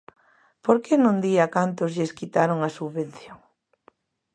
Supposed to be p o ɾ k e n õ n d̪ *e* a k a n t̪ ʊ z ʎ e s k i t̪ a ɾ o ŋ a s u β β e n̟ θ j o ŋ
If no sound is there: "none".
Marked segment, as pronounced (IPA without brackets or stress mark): i